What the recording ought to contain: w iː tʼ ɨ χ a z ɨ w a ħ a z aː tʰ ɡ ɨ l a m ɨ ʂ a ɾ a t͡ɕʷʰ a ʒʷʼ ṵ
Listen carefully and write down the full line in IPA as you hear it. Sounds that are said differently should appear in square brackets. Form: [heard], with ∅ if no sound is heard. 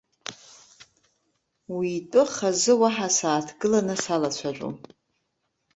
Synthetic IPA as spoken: w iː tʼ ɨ χ a z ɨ w a ħ a [s] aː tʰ ɡ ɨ l a [n] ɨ [s] a [l] a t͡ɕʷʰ a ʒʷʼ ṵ